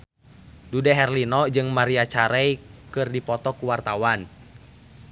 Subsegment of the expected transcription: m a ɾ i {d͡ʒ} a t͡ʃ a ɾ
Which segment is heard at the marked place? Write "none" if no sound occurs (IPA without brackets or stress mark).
none